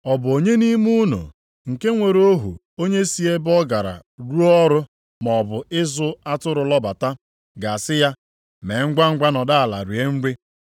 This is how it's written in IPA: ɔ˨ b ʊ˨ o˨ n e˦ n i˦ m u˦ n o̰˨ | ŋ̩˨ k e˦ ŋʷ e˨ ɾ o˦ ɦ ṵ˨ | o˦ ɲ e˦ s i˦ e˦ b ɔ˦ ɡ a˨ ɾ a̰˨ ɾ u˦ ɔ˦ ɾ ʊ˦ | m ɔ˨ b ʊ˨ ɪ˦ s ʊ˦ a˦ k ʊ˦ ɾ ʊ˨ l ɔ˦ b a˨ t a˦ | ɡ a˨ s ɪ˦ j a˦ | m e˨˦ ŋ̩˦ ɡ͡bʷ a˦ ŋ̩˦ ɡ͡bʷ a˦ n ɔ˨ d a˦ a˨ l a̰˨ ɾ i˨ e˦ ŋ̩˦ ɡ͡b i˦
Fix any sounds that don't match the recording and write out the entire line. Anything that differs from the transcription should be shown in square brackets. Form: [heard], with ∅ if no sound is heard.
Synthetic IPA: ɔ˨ b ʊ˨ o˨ [ɲ] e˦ n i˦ m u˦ n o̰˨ | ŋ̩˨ k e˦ ŋʷ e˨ ɾ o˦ ɦ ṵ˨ | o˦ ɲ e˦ s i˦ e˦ b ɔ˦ ɡ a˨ ɾ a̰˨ ɾ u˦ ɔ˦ ɾ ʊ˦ | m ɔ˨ b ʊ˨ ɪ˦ [z] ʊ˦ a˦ [t] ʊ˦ ɾ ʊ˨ l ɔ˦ b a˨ t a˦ | ɡ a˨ s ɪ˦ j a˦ | m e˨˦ ŋ̩˦ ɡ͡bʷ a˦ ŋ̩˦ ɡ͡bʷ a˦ n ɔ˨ d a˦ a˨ l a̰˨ ɾ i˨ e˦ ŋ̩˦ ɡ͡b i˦